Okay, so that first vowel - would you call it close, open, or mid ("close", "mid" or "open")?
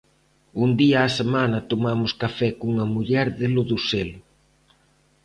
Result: close